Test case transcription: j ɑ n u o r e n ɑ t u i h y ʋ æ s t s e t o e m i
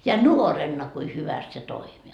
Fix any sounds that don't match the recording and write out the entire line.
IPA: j ɑ n u o r e nː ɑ k u i h y ʋ æ s t s e t o i m i